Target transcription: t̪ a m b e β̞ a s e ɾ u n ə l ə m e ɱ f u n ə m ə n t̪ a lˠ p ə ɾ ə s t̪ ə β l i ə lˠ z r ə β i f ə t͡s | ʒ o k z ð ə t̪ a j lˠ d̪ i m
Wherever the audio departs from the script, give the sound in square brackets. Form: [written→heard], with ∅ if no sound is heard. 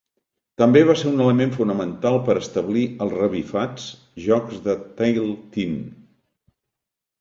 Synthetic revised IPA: t̪ [a→ə] m b e β̞ a s e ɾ u n ə l ə m e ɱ f u n ə m ə n t̪ a lˠ p ə ɾ ə s t̪ ə β l i ə lˠ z r ə β i f [ə→a] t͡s | ʒ [o→ɔ] k z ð ə t̪ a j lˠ [d̪→t̪] i m